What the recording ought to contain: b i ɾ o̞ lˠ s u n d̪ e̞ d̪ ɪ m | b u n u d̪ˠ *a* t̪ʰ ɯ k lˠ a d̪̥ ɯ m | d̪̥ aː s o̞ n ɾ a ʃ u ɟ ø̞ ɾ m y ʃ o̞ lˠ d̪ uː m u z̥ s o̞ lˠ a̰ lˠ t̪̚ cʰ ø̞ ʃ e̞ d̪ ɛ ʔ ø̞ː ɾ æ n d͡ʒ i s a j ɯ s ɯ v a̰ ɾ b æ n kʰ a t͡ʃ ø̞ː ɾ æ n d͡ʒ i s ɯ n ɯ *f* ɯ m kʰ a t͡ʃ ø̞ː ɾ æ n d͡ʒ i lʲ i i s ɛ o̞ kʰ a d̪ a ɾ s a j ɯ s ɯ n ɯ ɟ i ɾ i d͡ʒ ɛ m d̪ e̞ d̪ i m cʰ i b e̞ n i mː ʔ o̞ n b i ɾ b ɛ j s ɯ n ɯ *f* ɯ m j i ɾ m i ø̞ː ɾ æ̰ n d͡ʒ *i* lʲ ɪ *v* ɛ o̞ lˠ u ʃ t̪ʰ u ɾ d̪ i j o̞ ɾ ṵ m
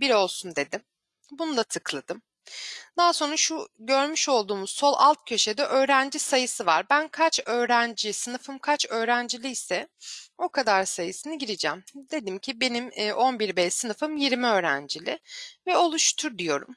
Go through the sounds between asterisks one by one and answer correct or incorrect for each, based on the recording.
correct, correct, correct, correct, correct

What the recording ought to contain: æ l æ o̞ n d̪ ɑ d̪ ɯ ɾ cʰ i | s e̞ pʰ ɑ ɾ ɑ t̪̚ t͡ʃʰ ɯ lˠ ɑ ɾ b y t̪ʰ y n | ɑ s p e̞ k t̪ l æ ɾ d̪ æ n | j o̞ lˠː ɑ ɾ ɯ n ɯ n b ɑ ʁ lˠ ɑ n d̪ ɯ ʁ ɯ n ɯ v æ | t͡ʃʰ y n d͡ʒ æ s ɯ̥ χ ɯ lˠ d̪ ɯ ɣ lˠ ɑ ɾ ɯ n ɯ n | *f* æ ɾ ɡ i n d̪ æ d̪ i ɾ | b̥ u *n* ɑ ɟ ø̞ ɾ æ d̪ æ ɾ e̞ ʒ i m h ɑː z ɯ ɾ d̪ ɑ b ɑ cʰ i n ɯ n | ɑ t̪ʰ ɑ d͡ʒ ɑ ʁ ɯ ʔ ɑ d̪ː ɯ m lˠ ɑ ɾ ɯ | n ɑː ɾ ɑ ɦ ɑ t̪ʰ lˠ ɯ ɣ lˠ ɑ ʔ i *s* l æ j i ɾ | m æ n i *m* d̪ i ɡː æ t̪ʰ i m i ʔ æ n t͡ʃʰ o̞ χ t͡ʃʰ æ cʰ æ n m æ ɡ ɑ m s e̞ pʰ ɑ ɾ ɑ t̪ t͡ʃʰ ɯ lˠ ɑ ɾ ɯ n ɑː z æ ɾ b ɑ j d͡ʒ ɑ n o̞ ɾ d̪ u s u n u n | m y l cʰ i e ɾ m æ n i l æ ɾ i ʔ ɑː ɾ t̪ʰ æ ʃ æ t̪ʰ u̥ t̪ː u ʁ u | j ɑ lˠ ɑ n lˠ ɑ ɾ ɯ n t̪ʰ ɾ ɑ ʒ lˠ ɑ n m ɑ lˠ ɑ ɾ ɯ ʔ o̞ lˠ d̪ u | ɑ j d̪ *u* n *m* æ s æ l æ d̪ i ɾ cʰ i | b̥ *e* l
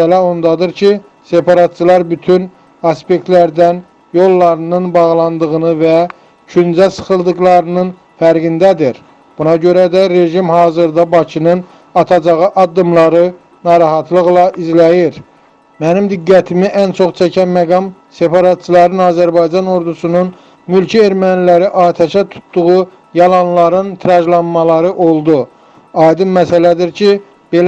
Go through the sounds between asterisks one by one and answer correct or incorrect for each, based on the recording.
correct, correct, incorrect, correct, incorrect, correct, correct

